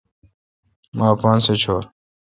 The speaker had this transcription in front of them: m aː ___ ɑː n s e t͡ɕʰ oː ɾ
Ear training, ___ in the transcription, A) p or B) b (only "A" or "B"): A